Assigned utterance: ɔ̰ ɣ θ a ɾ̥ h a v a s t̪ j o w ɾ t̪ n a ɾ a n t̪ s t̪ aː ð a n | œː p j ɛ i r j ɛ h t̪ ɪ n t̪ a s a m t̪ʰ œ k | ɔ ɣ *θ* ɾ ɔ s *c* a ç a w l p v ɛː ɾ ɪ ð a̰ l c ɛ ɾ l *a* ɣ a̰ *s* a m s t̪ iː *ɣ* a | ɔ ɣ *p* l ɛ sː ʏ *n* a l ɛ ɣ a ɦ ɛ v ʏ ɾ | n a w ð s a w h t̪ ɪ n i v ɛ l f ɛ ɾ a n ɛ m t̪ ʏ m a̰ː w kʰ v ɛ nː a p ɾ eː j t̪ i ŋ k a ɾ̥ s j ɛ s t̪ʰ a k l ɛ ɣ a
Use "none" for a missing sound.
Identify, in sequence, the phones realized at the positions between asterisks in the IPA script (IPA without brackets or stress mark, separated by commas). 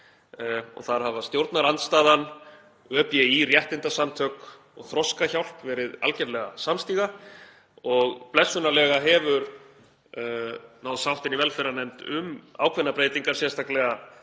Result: θ, k, ɛ, s, ɣ, p, n